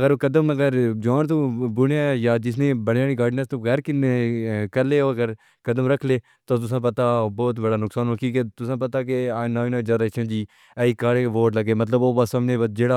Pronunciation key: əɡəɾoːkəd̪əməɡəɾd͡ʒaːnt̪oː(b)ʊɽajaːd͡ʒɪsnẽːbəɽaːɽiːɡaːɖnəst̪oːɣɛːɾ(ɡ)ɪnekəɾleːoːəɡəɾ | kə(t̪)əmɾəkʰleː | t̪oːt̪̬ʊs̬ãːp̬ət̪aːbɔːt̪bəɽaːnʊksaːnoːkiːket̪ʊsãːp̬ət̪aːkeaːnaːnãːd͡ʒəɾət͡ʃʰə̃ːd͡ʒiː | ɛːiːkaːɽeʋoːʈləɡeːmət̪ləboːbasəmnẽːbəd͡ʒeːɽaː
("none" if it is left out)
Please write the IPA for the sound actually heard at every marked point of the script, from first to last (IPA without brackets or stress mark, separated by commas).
b, k, d̪